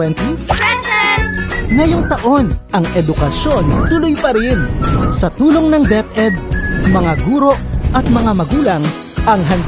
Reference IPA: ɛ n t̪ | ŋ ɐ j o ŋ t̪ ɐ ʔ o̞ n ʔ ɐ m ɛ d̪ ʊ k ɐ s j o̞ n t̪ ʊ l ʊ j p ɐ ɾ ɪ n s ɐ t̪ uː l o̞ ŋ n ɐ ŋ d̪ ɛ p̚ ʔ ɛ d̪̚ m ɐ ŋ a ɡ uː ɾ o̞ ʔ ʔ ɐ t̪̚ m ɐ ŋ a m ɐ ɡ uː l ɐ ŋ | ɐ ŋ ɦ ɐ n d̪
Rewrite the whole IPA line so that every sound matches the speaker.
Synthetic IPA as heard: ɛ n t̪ | ŋ ɐ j o ŋ t̪ ɐ ʔ o̞ n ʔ ɐ ŋ ɛ d̪ ʊ k ɐ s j o̞ n t̪ ʊ l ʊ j p ɐ ɾ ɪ n s ɐ t̪ uː l o̞ ŋ n ɐ ŋ d̪ ɛ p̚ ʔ ɛ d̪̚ m ɐ ŋ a ɡ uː ɾ o̞ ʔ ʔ ɐ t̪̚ m ɐ ŋ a m ɐ ɡ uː l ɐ ŋ | ɐ ŋ ɦ ɐ n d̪